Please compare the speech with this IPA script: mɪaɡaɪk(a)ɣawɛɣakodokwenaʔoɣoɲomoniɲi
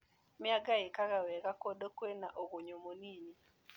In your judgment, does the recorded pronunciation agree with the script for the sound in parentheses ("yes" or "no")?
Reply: yes